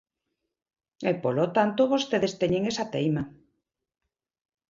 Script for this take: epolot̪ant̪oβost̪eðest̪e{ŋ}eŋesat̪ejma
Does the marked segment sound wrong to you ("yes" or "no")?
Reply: yes